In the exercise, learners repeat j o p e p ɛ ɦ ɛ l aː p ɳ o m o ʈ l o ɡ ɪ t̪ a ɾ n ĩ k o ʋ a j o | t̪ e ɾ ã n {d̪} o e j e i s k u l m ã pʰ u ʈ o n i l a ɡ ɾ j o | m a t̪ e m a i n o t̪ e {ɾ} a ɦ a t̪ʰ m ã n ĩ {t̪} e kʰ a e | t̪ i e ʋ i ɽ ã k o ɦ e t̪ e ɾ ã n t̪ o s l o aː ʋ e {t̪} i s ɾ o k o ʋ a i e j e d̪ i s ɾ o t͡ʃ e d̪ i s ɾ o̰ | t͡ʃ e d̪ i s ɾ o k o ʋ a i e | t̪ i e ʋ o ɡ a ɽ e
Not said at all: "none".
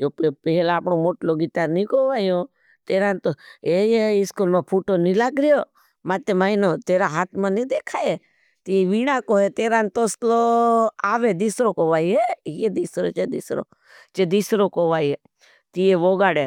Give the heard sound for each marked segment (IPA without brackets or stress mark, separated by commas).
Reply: t̪, ɾ, d̪, d̪